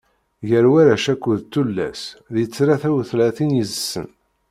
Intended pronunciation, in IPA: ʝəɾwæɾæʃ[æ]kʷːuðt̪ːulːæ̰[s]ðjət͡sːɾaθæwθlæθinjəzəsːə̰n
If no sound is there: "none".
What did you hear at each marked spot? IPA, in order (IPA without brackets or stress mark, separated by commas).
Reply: æ, s